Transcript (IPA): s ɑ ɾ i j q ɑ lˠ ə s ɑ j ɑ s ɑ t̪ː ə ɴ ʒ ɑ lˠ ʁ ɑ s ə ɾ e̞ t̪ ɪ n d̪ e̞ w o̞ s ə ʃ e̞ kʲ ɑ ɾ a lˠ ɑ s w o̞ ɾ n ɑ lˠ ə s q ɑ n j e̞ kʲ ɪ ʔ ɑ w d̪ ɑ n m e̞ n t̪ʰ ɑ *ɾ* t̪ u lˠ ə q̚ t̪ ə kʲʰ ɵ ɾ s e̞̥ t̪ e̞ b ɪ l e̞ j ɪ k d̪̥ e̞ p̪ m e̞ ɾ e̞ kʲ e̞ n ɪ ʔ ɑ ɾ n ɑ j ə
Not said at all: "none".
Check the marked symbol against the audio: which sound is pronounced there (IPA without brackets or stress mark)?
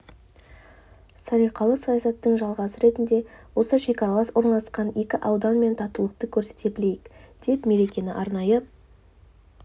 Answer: none